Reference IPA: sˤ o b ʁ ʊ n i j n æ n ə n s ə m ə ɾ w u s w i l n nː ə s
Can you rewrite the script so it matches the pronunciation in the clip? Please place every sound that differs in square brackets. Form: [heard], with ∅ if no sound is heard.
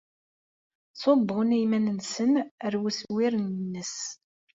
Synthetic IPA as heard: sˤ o b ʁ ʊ n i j [m] æ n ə n s ə [n] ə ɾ w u s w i [ɾ] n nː ə s